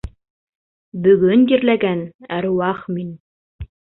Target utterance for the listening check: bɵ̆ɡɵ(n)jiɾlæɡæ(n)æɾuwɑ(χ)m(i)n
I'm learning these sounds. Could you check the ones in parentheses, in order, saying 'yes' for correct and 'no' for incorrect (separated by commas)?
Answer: yes, yes, yes, yes